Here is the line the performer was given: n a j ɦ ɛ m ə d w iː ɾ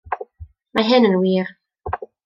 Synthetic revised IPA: m a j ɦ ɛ n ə n w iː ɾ